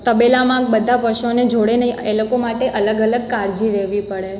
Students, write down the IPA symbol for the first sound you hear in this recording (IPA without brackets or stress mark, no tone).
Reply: t̪